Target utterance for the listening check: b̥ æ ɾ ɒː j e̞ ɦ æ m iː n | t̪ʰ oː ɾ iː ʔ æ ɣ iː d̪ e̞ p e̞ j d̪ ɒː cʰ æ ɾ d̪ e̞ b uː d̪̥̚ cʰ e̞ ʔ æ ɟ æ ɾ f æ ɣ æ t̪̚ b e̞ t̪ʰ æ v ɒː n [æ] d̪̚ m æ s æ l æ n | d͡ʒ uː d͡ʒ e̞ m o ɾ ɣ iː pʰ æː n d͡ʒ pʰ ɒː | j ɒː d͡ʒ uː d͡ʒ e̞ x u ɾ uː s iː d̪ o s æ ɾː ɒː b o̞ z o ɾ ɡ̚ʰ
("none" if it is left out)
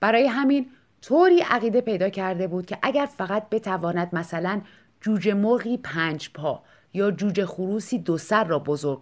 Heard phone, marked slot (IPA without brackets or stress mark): æ